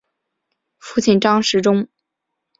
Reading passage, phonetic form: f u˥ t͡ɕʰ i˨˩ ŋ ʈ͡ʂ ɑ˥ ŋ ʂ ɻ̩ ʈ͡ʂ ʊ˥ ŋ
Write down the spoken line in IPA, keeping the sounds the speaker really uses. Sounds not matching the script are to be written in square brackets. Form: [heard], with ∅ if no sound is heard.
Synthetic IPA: f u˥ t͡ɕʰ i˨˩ [n] ʈ͡ʂ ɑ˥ ŋ ʂ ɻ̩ ʈ͡ʂ ʊ˥ ŋ